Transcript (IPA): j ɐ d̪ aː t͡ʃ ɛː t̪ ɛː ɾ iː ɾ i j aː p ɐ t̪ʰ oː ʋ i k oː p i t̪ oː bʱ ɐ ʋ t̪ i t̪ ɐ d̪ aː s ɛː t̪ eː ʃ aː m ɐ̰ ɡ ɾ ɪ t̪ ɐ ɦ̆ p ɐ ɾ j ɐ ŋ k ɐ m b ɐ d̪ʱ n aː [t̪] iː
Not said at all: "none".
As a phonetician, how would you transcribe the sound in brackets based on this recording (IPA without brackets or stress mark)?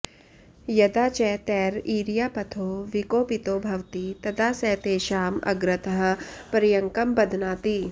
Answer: t̪